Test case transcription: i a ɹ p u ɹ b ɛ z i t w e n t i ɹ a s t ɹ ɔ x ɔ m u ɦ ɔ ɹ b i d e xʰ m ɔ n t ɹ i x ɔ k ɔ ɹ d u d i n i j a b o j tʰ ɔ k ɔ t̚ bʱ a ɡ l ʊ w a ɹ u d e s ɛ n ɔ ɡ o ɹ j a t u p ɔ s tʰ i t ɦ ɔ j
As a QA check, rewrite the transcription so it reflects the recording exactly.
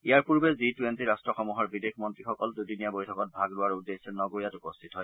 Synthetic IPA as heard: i a ɹ p u ɹ b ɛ z i t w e n t i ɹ a s t ɹ ɔ x ɔ m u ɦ ɔ ɹ b i d e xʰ m ɔ n t ɹ i x ɔ k ɔ l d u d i n i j a b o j tʰ ɔ k ɔ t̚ bʱ a ɡ l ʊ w a ɹ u d e s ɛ n ɔ ɡ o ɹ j a t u p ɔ s tʰ i t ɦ ɔ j